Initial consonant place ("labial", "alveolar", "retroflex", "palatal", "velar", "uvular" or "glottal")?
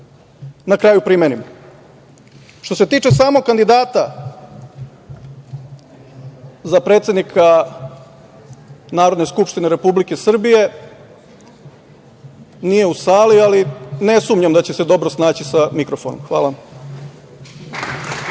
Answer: alveolar